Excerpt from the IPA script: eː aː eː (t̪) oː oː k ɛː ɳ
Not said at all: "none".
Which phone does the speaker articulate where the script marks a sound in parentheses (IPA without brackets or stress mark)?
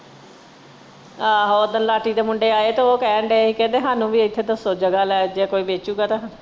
t̪